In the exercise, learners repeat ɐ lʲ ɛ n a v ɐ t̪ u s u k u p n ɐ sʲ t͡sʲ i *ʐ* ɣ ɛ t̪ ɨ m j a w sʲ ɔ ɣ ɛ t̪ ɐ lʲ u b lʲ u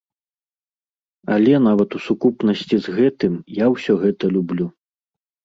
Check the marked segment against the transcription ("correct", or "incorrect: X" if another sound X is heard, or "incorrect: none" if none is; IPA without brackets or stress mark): incorrect: z